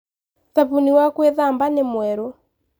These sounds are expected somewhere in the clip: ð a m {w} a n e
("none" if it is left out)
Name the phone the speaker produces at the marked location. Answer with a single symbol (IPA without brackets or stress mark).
b